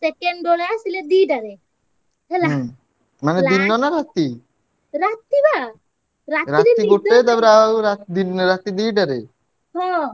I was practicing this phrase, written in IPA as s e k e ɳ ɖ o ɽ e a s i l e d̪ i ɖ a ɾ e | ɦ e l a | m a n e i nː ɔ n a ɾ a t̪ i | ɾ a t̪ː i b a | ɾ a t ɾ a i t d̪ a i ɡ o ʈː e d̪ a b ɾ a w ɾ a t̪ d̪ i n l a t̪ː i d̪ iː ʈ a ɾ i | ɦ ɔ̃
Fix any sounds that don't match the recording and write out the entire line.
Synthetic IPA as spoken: s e k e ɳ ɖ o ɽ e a s i l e d̪ i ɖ a ɾ e | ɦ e l a | m a n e i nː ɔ n a ɾ a t̪ i | ɾ a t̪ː i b a | ɾ a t ɾ a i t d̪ i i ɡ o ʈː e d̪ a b ɾ a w ɾ a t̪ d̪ i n ɾ a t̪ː i d̪ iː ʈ a ɾ e | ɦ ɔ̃